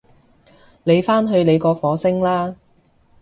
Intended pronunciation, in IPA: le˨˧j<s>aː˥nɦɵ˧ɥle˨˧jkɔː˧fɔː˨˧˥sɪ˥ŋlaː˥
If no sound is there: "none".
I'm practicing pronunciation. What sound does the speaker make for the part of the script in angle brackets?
f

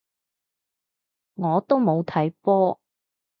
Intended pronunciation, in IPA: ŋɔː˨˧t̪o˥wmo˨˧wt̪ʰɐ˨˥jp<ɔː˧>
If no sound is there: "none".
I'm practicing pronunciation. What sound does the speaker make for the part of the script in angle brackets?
ɔː˥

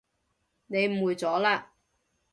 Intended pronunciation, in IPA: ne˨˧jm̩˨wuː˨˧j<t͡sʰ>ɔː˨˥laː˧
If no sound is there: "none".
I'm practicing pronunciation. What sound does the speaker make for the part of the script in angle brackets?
t͡s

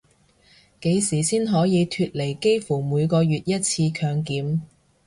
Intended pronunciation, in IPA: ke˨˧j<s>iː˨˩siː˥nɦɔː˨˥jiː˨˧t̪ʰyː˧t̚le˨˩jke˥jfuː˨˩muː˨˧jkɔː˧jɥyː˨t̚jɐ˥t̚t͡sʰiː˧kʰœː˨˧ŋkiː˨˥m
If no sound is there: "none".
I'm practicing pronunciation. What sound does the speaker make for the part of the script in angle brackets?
s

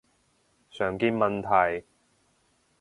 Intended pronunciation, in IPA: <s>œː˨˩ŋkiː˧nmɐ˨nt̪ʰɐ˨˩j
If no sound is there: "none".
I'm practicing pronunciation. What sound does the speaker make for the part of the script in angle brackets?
s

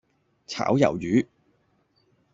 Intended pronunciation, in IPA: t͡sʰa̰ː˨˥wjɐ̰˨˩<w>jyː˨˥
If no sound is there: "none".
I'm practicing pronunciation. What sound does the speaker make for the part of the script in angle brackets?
w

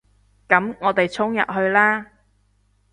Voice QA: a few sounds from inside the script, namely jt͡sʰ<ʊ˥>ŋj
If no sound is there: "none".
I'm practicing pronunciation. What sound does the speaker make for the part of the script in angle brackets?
ʊ˥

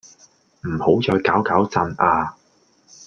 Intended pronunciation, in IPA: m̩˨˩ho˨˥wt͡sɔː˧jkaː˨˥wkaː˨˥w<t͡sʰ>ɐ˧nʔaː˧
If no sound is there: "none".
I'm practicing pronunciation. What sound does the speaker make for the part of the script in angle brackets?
t͡s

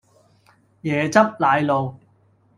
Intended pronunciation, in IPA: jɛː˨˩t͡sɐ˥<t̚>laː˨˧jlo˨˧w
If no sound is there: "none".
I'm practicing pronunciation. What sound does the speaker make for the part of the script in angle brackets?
p̚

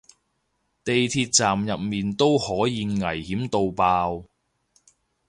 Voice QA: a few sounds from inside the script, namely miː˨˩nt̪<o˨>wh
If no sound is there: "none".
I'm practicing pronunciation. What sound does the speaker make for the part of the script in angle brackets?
o˥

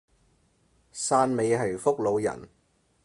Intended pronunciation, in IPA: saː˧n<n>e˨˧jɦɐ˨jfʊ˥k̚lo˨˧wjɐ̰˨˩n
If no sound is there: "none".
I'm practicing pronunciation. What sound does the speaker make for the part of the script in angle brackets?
m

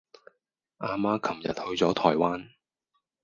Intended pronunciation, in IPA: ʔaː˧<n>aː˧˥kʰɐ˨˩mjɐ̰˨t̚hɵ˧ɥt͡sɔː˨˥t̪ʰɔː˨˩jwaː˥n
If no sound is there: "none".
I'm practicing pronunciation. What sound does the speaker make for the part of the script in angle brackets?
m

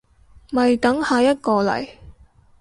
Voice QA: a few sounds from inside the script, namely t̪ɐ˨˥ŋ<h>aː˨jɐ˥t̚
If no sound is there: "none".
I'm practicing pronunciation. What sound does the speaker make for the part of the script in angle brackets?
h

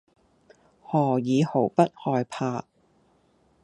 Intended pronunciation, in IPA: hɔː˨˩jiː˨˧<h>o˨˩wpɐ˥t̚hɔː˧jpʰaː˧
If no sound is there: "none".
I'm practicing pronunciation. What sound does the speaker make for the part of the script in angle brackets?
h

